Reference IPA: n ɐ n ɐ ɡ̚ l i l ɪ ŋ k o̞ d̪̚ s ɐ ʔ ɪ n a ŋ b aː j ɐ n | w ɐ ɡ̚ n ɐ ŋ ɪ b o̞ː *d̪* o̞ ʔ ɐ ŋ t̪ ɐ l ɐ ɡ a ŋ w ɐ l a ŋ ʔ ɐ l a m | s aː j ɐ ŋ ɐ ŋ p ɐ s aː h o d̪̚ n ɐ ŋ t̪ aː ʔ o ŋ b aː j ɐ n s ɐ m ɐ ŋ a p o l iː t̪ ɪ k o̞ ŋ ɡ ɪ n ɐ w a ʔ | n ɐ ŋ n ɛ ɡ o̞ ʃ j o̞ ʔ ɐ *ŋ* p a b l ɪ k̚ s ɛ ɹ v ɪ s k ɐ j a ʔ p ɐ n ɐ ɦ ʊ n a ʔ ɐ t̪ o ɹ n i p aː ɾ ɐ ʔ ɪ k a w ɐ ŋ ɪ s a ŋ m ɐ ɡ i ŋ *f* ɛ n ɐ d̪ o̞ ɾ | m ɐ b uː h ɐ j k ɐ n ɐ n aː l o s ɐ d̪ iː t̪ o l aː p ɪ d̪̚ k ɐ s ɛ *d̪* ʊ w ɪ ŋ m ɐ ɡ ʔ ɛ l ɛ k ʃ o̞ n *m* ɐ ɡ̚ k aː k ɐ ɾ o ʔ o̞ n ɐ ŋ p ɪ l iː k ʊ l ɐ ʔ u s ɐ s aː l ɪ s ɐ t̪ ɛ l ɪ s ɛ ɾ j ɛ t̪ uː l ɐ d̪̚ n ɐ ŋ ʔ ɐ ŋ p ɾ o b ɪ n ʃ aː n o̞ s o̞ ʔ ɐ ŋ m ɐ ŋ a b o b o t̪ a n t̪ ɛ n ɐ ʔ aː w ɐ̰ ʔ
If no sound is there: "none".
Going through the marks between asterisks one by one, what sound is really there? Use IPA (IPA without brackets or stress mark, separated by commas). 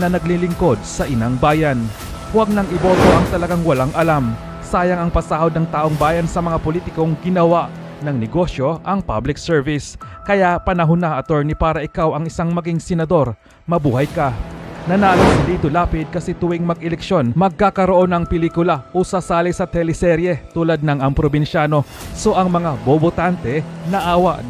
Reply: t̪, ŋ, s, t̪, m